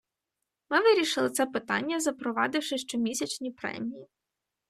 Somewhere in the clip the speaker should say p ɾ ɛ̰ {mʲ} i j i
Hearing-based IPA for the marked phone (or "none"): mʲ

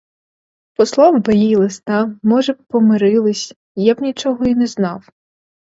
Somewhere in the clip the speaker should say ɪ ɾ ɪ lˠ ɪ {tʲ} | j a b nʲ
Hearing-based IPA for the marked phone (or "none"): sʲ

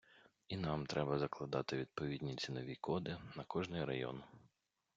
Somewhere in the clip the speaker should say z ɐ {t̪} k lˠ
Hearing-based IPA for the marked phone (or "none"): none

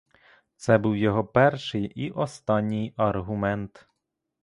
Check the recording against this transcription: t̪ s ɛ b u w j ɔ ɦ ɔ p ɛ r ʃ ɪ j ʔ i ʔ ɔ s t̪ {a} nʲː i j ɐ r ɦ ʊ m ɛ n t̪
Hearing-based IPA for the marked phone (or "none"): ɑ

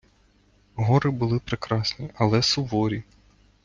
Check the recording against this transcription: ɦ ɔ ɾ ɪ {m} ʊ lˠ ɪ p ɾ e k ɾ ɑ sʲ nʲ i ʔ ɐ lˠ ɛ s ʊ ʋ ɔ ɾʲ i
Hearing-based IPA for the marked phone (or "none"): b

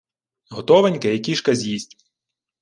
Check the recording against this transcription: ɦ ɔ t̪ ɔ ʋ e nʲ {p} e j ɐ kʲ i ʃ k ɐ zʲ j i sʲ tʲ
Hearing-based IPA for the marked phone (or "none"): k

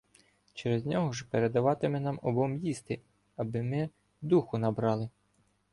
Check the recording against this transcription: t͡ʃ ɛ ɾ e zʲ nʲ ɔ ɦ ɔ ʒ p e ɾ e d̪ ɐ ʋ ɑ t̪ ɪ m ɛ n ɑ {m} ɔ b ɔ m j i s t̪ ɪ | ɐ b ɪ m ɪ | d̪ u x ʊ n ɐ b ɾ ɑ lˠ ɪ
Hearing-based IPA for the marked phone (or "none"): m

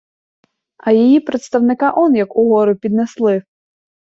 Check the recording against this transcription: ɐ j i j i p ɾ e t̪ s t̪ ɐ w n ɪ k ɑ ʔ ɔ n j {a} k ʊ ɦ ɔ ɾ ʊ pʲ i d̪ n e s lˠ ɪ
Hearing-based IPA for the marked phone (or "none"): ɐ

